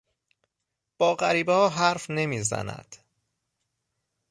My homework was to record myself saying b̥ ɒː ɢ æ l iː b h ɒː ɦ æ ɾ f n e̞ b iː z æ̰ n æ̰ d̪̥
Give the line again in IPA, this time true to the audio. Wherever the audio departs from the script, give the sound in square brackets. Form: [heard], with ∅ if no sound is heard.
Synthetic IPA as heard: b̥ ɒː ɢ æ [ɾ] iː b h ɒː ɦ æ ɾ f n e̞ [m] iː z æ̰ n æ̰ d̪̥